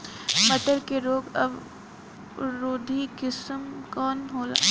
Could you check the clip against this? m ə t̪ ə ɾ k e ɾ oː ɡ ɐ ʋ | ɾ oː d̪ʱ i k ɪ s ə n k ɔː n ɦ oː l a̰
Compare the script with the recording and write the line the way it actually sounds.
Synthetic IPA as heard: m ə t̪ ə ɾ k e ɾ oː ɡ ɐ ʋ | ɾ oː d̪ʱ i k ɪ s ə m k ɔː n ɦ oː l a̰